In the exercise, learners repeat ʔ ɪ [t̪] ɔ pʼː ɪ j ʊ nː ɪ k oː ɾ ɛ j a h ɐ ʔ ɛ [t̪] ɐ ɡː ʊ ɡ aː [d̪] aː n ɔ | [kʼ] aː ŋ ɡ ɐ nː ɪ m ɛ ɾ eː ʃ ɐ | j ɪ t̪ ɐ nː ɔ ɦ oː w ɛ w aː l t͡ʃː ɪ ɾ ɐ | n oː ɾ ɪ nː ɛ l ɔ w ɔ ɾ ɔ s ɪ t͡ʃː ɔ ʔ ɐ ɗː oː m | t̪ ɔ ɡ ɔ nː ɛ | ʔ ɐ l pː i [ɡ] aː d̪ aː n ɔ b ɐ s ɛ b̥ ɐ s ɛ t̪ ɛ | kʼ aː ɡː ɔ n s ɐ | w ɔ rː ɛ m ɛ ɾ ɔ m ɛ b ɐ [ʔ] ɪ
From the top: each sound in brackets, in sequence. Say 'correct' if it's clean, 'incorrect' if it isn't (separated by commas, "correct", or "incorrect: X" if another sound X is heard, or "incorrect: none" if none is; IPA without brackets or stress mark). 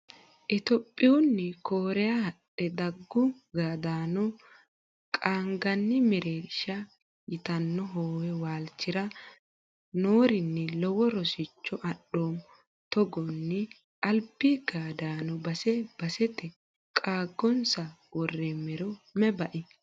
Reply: correct, incorrect: d̪, correct, correct, correct, correct